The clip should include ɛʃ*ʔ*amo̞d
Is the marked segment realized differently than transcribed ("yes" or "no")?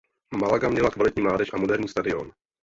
no